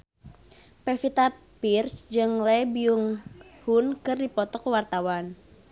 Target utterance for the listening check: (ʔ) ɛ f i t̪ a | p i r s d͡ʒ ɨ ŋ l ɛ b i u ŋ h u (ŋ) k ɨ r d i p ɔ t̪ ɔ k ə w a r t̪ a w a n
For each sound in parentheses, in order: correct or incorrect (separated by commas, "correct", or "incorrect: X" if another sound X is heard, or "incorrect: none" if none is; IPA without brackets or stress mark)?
incorrect: p, incorrect: n